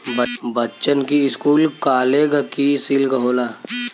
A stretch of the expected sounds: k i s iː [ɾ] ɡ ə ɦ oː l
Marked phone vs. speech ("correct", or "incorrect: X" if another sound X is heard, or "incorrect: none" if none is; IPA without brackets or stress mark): incorrect: l